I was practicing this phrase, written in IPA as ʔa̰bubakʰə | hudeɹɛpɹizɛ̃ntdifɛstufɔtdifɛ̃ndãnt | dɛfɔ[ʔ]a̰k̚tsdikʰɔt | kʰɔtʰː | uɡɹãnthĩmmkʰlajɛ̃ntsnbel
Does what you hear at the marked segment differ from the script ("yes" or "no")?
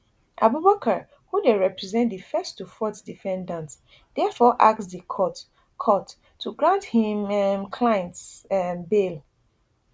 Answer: no